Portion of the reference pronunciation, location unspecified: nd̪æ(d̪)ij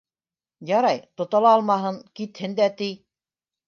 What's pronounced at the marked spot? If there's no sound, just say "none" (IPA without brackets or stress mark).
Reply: t̪